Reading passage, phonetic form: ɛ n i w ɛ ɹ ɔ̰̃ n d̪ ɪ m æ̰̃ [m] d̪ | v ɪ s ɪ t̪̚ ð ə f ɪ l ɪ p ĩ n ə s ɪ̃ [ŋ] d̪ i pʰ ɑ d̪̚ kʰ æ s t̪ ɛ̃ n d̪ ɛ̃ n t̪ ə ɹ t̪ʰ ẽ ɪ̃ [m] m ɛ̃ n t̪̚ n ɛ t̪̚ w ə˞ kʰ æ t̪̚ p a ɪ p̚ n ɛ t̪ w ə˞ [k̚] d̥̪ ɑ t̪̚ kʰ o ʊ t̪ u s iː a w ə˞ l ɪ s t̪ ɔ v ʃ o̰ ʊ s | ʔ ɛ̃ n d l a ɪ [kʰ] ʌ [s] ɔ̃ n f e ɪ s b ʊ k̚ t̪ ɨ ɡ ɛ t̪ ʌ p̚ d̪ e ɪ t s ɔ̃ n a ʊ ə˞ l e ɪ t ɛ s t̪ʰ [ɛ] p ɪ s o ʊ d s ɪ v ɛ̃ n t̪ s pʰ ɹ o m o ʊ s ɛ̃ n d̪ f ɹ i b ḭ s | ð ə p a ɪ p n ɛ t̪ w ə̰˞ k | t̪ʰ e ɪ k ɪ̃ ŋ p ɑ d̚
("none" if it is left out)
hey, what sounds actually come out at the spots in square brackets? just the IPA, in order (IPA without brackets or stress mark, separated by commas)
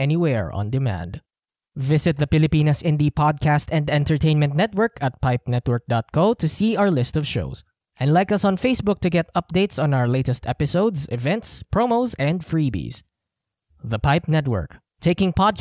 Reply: n, n, n, k̚, k, s, ɛ